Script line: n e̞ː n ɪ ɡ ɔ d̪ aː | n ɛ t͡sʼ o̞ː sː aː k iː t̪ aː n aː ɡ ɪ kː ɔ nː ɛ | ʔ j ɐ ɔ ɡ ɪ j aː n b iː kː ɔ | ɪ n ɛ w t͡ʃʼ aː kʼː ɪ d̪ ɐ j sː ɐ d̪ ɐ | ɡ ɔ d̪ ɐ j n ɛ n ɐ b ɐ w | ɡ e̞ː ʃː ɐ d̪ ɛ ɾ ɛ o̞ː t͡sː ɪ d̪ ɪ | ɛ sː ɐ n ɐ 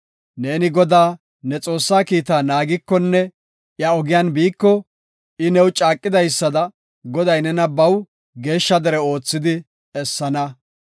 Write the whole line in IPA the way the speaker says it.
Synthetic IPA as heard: n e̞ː n ɪ ɡ ɔ d̪ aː | n ɛ t͡sʼ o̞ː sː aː k iː t̪ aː n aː ɡ ɪ kː ɔ nː ɛ | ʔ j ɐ ɔ ɡ ɪ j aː n b iː kː ɔ | ɪ n ɛ w t͡ʃʼ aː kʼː ɪ d̪ ɐ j sː ɐ d̪ ɐ | ɡ ɔ d̪ ɐ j n ɛ n ɐ b ɐ w | ɡ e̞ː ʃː ɐ d̪ ɛ ɾ ɛ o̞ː t͡sː ɪ d̪ ɪ | ɛ sː ɐ n ɐ